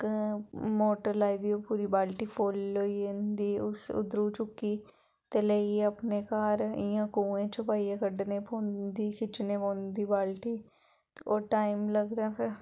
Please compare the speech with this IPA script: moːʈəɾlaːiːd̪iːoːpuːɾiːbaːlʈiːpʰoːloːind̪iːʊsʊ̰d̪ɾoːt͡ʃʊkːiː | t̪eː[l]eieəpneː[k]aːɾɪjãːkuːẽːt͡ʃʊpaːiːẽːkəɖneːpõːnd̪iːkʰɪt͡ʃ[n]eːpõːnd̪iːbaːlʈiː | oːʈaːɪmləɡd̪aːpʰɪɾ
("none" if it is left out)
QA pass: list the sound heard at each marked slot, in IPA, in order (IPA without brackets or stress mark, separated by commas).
l, k, n